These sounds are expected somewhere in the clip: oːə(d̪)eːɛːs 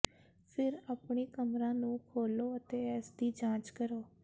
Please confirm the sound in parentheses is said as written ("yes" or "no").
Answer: no